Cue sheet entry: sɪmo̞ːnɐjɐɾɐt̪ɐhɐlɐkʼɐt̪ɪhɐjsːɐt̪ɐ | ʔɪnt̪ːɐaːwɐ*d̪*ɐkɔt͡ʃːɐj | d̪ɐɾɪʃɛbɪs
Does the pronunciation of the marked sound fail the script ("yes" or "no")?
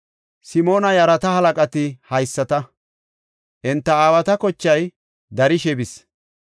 yes